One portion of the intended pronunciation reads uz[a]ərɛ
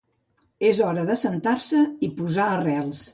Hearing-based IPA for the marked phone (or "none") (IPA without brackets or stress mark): a